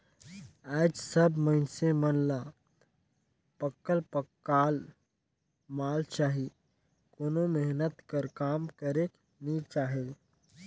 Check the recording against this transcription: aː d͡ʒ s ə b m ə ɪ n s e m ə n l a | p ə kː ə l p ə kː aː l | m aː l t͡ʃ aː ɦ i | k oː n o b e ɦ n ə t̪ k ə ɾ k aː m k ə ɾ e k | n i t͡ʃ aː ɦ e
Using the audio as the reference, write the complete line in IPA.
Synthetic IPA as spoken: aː d͡ʒ s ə b m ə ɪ n s e m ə n l a | p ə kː ə l p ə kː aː l | m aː l t͡ʃ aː ɦ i | k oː n o m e ɦ n ə t̪ k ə ɾ k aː m k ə ɾ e k | n i t͡ʃ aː ɦ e